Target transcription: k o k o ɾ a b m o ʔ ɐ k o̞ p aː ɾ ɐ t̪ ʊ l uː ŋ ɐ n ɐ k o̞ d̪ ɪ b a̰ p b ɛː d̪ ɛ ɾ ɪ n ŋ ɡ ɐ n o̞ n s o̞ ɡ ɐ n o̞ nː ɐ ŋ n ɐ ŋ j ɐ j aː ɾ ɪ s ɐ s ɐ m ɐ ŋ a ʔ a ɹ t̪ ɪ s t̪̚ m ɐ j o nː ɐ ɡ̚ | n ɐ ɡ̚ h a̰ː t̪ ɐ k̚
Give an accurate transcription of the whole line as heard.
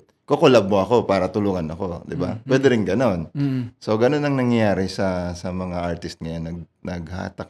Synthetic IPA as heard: k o k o l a b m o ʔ ɐ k o̞ p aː ɾ ɐ t̪ ʊ l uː ŋ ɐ n ɐ k o̞ d̪ ɪ b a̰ p w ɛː d̪ ɛ ɾ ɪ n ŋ ɡ ɐ n o̞ n s o̞ ɡ ɐ n o̞ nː ɐ ŋ n ɐ ŋ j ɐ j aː ɾ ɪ s ɐ s ɐ m ɐ ŋ a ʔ a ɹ t̪ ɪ s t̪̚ ŋ ɐ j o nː ɐ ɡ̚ | n ɐ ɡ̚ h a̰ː t̪ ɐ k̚